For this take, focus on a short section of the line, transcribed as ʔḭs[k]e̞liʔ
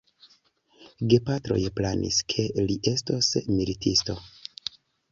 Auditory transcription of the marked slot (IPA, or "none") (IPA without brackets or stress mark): kʰ